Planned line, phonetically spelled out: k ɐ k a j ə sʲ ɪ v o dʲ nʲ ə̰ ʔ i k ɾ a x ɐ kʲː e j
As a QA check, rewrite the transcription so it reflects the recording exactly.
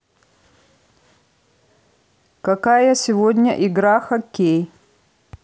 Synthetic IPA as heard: k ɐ k a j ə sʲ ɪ v o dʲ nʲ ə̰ ʔ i ɡ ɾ a x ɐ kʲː e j

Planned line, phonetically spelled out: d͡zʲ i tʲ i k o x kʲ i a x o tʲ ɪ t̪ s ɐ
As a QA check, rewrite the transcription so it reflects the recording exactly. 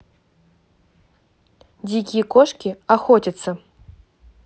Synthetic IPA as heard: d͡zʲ i kʲ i k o ʂ kʲ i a x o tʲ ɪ t̪ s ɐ

